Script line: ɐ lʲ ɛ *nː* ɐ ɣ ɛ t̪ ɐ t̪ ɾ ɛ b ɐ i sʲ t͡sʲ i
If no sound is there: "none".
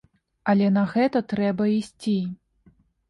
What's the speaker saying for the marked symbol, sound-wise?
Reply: n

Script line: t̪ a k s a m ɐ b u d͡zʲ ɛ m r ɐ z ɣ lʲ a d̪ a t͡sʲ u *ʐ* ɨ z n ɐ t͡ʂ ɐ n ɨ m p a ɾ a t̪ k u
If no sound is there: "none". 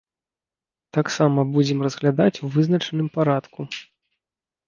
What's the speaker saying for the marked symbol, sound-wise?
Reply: v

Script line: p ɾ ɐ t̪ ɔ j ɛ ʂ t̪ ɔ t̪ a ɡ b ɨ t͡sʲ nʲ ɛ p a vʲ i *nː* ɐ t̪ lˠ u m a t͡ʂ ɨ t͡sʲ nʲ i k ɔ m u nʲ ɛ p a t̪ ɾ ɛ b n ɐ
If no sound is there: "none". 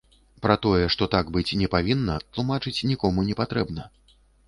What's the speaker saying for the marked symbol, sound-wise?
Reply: nː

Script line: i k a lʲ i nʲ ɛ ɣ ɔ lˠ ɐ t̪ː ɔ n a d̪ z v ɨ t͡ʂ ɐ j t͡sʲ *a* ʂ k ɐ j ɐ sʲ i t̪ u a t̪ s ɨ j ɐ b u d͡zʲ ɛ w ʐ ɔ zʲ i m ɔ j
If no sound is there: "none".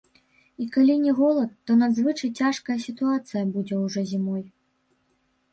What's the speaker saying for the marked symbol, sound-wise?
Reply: a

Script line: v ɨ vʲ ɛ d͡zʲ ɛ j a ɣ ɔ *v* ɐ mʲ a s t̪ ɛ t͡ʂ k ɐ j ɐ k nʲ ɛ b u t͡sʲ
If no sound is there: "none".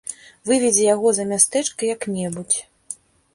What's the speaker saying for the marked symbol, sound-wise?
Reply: z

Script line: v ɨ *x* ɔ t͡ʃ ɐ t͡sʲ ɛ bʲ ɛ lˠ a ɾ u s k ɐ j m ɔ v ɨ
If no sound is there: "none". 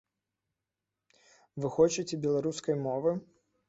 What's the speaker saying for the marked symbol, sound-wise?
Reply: x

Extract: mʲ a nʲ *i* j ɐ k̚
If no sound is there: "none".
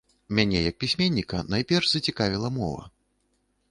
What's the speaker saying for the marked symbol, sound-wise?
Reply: ɛ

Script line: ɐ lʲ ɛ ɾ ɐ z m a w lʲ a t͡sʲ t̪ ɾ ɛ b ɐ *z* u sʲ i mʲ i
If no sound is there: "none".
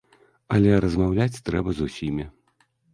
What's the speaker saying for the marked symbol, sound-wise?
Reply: z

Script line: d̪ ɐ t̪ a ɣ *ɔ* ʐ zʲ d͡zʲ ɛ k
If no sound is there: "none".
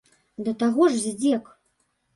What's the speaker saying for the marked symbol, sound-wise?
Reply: ɔ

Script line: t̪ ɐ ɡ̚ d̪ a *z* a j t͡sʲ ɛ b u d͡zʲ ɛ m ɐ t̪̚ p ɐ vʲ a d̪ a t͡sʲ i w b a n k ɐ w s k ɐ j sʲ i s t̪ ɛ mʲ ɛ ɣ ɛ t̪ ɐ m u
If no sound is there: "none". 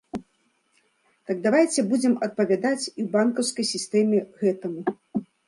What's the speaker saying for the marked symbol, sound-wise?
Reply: v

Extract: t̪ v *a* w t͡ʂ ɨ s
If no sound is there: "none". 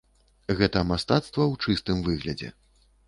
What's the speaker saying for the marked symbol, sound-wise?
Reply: ɐ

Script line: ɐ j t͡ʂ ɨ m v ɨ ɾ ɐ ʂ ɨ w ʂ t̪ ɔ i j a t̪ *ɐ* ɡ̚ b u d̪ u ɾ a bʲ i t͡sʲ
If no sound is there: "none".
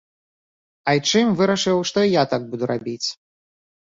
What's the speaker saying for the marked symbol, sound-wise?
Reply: a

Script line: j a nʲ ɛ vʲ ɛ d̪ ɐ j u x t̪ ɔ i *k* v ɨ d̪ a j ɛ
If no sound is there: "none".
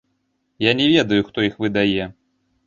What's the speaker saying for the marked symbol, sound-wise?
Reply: x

